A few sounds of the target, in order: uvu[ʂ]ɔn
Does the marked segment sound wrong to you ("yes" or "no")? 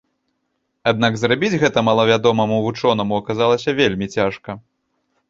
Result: yes